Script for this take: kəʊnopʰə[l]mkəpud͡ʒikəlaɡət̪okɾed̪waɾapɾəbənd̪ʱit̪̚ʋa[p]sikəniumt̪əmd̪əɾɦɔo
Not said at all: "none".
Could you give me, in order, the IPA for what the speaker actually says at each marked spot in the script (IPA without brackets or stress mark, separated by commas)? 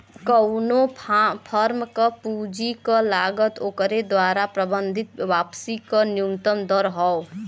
ɾ, p